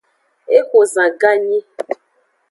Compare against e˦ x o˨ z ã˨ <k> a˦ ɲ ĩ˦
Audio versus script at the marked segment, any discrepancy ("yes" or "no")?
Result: yes